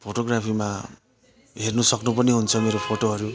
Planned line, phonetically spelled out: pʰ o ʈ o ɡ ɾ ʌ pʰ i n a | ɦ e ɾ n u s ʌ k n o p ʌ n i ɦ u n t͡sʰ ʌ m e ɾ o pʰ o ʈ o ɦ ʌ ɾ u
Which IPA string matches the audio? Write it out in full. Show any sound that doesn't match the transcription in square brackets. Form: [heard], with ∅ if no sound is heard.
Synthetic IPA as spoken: pʰ o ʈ o ɡ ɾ [a] pʰ i [m] a | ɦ e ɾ n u s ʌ k n [u] p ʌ n i ɦ u n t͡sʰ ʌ m e ɾ o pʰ o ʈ o ɦ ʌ ɾ u